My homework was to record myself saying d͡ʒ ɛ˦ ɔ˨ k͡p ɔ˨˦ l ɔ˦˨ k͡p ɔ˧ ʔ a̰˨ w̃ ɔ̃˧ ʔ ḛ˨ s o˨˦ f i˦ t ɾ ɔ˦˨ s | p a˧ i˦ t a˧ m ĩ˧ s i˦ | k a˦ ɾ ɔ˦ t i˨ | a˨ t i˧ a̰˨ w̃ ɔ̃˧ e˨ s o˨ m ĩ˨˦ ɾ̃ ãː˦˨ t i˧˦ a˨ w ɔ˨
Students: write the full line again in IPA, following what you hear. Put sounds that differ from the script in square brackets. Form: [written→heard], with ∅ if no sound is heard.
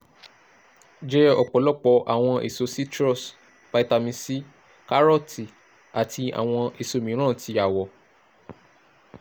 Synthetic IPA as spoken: d͡ʒ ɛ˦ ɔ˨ k͡p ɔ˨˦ l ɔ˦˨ k͡p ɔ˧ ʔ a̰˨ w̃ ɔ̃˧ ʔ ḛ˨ s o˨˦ [f→s] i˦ t ɾ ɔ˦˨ s | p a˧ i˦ t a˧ m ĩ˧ s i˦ | k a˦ ɾ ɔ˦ t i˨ | a˨ t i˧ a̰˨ w̃ ɔ̃˧ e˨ s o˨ m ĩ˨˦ ɾ̃ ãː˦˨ t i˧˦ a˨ w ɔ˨